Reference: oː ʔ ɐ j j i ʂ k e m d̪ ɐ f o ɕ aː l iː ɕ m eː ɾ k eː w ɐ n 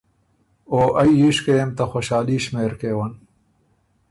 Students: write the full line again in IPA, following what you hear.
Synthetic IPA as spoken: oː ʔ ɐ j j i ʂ k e m t̪ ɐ x o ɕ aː l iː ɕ m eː ɾ k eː w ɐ n